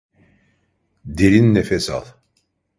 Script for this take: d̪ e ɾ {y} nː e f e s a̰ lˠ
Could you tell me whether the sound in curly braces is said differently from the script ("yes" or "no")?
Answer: yes